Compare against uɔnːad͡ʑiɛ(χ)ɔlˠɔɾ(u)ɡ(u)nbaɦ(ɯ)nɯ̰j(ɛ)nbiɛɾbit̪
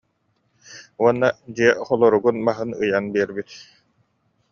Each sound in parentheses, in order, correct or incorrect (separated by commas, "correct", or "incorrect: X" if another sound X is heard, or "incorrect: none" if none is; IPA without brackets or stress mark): correct, correct, correct, correct, incorrect: a